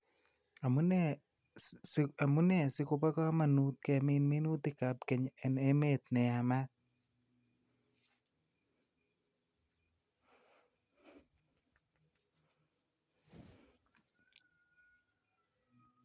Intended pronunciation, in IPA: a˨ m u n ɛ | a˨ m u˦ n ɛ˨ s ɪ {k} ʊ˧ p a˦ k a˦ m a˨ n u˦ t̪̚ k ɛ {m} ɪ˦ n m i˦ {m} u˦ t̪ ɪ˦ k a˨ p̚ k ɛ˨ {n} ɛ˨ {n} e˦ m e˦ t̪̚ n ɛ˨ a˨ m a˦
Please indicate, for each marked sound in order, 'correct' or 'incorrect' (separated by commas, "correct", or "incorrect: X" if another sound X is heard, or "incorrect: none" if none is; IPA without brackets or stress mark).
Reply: correct, correct, incorrect: n, incorrect: ɲ, correct